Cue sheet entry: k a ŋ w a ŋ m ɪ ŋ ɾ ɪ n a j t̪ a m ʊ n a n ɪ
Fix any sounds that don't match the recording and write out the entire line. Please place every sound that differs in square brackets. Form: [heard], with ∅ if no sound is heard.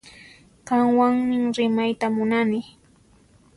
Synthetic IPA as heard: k a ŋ w a ŋ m ɪ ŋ ɾ ɪ [m] a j t̪ a m ʊ n a n ɪ